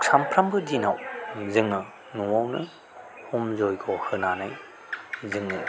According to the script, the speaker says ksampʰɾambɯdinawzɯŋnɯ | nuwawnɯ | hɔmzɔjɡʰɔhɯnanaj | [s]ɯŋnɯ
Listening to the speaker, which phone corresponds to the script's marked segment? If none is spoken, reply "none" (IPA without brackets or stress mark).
z